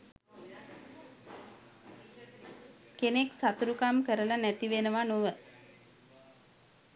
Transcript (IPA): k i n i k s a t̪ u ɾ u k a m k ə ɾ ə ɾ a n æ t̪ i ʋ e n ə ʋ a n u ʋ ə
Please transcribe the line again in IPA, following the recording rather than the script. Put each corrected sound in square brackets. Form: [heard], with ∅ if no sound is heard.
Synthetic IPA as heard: k [e] n [e] k s a t̪ u ɾ u k a m k ə ɾ ə [l] a n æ t̪ i ʋ e n ə ʋ a n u ʋ ə

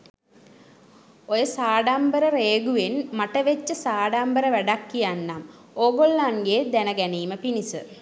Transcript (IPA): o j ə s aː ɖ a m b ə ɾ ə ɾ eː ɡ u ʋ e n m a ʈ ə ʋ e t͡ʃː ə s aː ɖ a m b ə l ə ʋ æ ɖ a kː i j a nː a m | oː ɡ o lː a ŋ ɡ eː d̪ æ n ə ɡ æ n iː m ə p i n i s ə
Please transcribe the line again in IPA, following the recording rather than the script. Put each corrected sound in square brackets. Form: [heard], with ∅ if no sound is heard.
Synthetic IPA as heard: o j ə s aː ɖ a m b ə ɾ ə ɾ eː ɡ u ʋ e n m a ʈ ə ʋ e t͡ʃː ə s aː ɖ a m b ə [ɾ] ə ʋ æ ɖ a kː i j a nː a m | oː ɡ o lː a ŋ ɡ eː d̪ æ n ə ɡ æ n iː m ə p i n i s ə

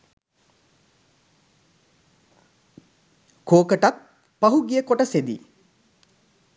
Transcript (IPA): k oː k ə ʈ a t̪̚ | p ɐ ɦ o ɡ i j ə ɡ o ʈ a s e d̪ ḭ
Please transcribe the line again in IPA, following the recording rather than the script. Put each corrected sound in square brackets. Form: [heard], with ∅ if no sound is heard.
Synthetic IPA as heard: k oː k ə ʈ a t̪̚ | p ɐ ɦ [u] ɡ i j ə [k] o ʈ [ə] s e d̪ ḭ

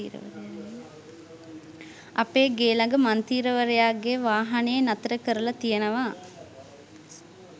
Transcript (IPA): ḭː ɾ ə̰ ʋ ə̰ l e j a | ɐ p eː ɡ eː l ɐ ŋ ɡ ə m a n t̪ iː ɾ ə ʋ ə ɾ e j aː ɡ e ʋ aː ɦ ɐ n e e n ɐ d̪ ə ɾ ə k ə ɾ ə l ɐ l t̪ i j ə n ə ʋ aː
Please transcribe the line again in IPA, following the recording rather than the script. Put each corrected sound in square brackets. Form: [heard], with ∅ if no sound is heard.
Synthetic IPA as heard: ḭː ɾ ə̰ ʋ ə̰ [ɾ] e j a | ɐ p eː ɡ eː l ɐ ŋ ɡ ə m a n t̪ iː ɾ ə ʋ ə ɾ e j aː ɡ e ʋ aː ɦ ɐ n e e n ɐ [t̪] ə ɾ ə k ə ɾ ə l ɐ [∅] t̪ i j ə n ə ʋ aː

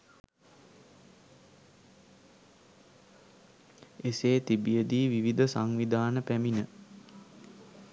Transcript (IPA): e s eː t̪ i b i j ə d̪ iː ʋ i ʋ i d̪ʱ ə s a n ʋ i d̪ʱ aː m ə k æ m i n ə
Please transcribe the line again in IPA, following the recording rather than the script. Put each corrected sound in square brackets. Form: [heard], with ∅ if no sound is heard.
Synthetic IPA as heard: e s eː t̪ i b i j ə d̪ iː ʋ i ʋ i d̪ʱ ə s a [ŋ] ʋ i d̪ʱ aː [n] ə [p] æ m i n ə

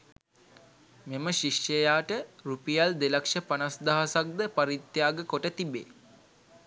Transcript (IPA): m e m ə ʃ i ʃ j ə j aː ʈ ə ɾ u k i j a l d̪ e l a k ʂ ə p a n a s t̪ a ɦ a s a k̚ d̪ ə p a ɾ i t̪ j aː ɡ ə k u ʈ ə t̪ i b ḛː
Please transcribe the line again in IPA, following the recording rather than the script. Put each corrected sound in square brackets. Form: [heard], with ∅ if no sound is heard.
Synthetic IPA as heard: m e m ə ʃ i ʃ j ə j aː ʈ ə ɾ u [p] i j a l d̪ e l a k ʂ ə p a n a s [d̪] a ɦ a s a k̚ d̪ ə p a ɾ i t̪ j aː ɡ ə k [o] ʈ ə t̪ i b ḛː

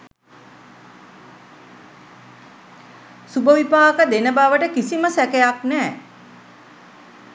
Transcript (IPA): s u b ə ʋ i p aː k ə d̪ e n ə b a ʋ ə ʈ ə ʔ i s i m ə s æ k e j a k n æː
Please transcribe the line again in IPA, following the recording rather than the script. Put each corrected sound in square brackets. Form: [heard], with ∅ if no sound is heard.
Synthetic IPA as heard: s u b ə ʋ i p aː k ə d̪ e n ə b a ʋ ə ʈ ə [k] i s i m ə s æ k e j a k n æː

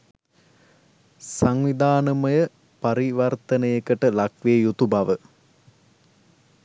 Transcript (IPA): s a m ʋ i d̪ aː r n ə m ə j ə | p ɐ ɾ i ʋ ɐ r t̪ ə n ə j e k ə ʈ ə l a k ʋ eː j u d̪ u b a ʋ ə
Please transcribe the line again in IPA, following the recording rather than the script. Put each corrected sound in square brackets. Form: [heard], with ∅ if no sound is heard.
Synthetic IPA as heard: s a [ŋ] ʋ i d̪ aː [∅] n ə m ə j ə | p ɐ ɾ i ʋ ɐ r t̪ ə n ə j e k ə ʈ ə l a k ʋ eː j u [t̪] u b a ʋ ə

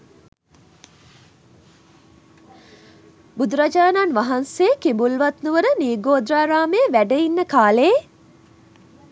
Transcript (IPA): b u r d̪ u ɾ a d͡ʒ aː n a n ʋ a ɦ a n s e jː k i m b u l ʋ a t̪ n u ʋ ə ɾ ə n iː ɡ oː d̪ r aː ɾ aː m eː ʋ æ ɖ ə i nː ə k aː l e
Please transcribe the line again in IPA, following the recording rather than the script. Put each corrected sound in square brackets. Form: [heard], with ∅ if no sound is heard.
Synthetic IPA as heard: b u [∅] d̪ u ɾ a d͡ʒ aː n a n ʋ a ɦ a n s e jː k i m b u l ʋ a t̪ n u ʋ ə ɾ ə n iː ɡ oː d̪ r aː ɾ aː m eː ʋ æ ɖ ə i nː ə k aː l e

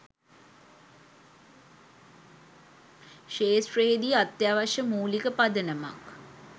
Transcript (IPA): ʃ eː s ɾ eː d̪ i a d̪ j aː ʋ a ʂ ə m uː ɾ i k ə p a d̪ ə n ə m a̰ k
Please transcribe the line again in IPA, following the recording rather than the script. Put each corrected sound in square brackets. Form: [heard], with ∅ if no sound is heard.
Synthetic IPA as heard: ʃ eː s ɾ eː d̪ i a [t̪] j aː ʋ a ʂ ə m uː [l] i k ə p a d̪ ə n ə m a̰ k

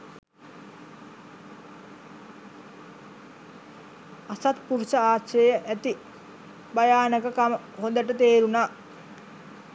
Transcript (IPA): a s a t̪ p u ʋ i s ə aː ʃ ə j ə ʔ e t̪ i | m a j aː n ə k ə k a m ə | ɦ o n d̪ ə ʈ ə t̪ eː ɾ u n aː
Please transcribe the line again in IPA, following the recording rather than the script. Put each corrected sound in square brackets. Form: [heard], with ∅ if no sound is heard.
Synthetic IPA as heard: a s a t̪ p u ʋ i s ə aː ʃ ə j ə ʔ [æ] t̪ i | [b] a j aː n ə k ə k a m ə | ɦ o n d̪ ə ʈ ə t̪ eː ɾ u n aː

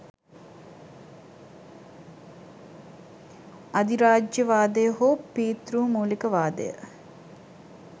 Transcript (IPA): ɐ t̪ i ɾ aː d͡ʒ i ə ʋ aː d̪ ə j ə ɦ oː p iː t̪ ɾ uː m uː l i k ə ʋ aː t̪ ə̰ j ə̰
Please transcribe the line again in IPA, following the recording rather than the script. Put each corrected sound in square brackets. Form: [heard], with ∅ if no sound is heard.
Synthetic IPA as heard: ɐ [d̪] i ɾ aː d͡ʒ [j] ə ʋ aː d̪ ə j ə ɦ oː p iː t̪ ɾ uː m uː l i k ə ʋ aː [d̪] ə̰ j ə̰

